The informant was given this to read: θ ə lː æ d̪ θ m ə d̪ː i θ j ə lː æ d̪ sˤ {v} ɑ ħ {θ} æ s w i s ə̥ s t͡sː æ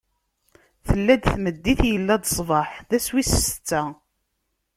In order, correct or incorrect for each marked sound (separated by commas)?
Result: correct, incorrect